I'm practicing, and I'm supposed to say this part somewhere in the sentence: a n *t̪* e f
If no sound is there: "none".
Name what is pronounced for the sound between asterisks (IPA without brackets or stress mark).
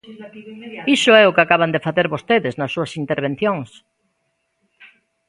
d̪